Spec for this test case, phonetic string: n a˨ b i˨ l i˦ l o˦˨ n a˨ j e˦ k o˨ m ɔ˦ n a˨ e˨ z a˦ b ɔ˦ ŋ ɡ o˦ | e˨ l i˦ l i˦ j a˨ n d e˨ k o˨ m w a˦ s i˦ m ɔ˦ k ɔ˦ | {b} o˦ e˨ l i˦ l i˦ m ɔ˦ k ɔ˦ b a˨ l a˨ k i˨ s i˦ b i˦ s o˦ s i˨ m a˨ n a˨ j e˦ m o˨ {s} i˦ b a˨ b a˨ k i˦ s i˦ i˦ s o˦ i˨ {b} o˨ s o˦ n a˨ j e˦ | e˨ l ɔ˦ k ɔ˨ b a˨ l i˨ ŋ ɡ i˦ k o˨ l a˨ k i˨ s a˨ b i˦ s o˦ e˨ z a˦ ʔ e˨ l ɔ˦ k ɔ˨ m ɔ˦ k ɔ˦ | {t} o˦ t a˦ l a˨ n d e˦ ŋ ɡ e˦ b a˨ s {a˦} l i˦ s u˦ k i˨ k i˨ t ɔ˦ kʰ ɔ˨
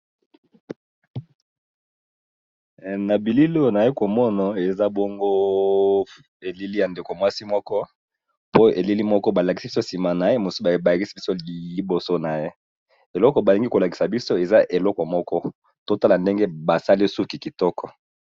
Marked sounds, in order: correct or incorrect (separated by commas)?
incorrect, correct, correct, correct, correct